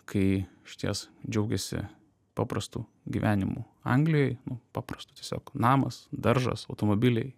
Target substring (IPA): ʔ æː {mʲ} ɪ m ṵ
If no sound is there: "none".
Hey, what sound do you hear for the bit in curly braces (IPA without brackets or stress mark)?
nʲ